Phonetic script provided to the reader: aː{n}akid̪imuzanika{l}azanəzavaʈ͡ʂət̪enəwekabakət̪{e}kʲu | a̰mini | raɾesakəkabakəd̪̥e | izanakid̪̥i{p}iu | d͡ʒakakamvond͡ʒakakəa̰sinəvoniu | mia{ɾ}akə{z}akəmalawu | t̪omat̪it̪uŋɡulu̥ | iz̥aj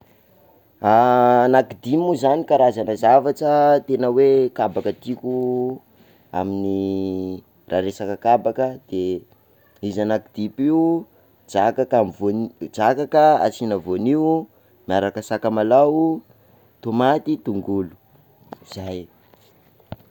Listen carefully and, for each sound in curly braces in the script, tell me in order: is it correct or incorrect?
correct, incorrect: ɾ, incorrect: i, correct, correct, incorrect: s

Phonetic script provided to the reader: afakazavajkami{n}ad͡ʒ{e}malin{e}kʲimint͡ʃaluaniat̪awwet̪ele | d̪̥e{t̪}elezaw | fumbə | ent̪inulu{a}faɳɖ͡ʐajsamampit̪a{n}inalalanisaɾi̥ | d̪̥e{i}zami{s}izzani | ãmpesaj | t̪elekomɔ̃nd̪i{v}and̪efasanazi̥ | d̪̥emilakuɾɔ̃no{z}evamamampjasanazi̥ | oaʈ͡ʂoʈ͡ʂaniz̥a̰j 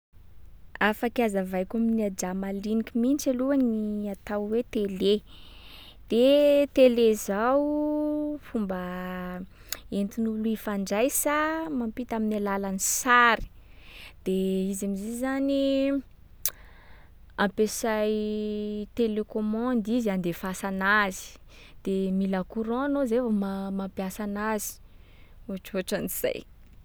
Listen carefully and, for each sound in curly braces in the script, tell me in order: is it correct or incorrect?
correct, incorrect: a, incorrect: i, correct, incorrect: i, incorrect: m, correct, incorrect: z, incorrect: z, correct

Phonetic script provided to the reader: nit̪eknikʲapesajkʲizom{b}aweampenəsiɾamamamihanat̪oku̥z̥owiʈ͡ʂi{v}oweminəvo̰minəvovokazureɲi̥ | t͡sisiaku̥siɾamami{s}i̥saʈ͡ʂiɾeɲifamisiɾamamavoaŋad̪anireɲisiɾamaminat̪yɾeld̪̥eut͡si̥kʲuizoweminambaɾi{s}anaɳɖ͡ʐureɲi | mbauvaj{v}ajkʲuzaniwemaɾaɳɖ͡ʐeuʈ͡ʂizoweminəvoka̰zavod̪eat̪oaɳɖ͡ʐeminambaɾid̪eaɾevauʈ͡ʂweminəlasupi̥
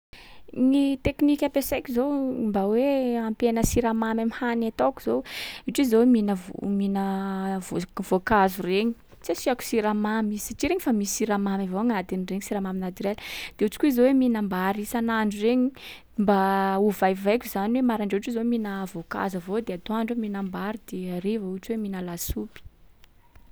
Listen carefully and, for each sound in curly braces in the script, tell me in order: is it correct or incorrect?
correct, incorrect: z, incorrect: z, correct, correct

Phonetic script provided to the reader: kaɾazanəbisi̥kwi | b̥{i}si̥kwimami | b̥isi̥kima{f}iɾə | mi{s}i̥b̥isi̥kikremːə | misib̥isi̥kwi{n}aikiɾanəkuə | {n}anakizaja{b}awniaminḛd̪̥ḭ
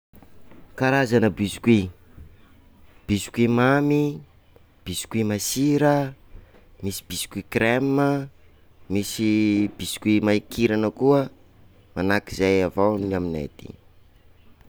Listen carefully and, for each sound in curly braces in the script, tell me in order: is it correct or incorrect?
correct, incorrect: s, correct, incorrect: m, incorrect: m, incorrect: v

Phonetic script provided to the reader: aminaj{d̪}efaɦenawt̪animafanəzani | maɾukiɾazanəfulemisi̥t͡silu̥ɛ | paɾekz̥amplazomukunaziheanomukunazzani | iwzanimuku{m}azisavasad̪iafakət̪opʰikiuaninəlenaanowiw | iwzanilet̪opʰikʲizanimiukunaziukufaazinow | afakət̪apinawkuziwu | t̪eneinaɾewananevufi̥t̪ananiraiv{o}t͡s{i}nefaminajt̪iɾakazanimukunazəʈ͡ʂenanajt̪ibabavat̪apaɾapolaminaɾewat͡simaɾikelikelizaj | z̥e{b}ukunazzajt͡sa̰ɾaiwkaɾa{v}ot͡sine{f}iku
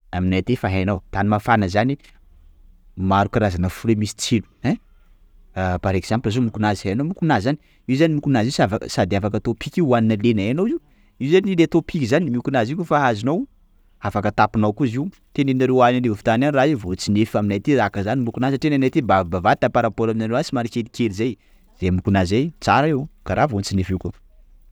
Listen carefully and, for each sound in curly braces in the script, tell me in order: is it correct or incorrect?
incorrect: t̪, incorrect: n, correct, correct, incorrect: m, correct, correct

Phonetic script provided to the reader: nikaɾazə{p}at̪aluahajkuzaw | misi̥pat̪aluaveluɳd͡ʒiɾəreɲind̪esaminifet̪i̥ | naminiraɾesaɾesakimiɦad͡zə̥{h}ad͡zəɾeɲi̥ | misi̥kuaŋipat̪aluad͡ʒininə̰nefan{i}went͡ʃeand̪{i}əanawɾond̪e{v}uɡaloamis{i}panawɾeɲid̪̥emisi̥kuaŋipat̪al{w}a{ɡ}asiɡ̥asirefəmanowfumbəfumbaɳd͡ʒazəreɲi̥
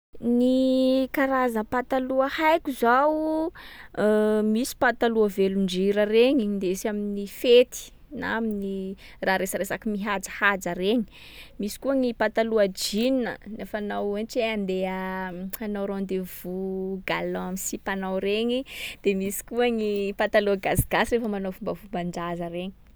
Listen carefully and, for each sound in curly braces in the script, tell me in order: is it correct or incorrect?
correct, correct, incorrect: a, incorrect: e, correct, correct, incorrect: u, correct

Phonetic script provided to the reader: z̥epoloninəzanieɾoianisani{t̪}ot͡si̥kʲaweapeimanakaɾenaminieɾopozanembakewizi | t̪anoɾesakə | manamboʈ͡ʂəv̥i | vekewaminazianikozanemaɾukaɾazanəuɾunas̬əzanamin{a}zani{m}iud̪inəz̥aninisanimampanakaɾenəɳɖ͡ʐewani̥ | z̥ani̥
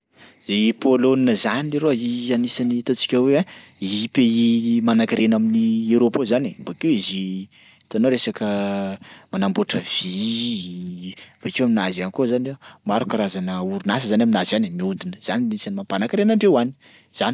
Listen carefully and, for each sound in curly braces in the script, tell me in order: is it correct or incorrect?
correct, correct, correct

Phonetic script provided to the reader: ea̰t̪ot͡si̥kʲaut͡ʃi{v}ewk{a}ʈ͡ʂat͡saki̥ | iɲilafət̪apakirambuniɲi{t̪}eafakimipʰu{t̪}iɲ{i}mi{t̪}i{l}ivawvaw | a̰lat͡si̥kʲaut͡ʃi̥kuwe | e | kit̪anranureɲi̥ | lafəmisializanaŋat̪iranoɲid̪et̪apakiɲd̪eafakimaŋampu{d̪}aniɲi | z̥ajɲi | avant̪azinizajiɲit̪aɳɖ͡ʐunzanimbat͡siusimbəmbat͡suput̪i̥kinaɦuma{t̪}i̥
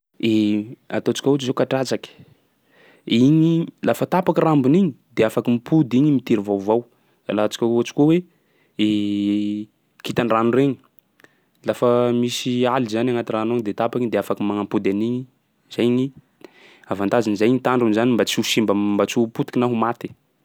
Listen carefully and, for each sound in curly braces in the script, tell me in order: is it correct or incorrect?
incorrect: z, correct, incorrect: d̪, incorrect: d̪, correct, correct, incorrect: ɾ, correct, correct

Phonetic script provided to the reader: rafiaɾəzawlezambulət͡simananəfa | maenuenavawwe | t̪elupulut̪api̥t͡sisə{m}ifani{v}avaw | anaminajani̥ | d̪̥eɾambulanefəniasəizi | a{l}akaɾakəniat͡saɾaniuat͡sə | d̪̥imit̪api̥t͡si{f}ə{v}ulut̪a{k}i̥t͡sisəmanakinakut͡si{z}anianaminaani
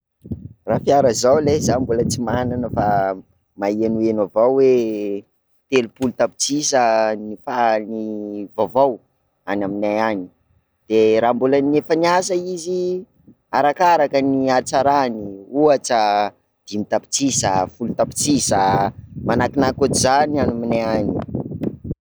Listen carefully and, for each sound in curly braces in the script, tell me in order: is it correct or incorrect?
incorrect: n, correct, incorrect: ɾ, incorrect: s, incorrect: f, incorrect: p, correct

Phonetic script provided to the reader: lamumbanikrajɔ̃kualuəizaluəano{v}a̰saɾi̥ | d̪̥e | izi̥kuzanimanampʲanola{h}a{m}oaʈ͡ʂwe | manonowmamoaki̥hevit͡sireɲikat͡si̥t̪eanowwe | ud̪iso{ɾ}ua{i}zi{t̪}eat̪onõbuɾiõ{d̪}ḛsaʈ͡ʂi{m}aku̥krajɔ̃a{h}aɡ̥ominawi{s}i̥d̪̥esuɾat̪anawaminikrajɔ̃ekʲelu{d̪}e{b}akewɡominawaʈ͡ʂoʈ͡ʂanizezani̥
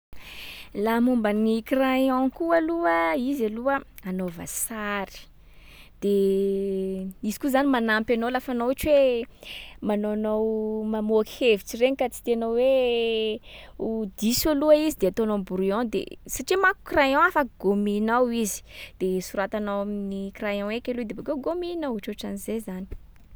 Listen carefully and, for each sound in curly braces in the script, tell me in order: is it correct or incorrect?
correct, incorrect: f, incorrect: n, incorrect: l, correct, incorrect: d̪, correct, correct, incorrect: f, incorrect: z, correct, correct

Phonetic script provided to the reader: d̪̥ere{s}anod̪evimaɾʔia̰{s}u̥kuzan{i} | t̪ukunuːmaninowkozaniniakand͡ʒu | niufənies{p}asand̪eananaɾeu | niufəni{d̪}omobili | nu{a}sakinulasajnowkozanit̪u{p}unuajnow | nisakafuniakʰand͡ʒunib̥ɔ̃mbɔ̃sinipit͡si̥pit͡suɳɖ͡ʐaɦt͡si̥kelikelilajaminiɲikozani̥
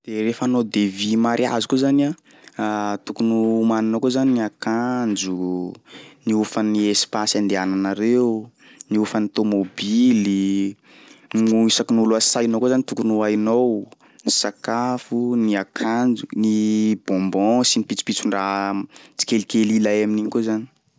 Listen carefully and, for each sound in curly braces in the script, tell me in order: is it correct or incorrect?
incorrect: f, incorrect: z, incorrect: a, correct, incorrect: t̪, incorrect: i, incorrect: k

